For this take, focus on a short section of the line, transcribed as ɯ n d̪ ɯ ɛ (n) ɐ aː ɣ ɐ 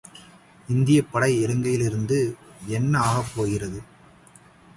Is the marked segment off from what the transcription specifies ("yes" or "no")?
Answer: yes